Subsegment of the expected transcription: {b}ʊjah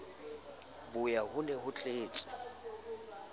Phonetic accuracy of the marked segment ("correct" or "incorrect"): correct